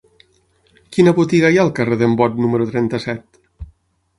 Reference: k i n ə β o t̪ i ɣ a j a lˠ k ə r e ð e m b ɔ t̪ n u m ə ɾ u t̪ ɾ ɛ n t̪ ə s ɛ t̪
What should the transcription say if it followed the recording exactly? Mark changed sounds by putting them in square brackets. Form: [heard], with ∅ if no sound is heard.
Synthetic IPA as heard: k i n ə β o t̪ i ɣ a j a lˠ k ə r e ð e m b ɔ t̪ n u m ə ɾ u t̪ ɾ ɛ n t̪ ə s ɛ t̪